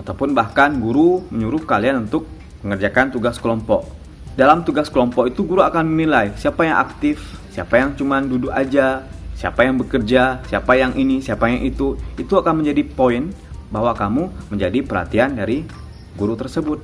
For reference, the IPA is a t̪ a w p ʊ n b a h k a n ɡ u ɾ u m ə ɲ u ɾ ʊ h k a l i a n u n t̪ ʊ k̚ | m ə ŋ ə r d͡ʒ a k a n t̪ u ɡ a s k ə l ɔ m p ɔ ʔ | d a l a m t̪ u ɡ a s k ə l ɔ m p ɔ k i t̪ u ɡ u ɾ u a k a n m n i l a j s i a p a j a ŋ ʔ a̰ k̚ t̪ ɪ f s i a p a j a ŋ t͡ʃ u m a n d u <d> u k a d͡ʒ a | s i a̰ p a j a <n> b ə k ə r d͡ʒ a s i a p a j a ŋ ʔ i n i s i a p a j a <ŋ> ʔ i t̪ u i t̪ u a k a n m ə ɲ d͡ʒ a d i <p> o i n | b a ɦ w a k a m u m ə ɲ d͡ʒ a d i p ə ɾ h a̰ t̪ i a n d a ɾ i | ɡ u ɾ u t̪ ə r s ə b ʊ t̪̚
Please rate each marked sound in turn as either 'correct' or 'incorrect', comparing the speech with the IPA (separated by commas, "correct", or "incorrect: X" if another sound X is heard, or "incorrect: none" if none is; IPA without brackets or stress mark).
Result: correct, incorrect: ŋ, correct, correct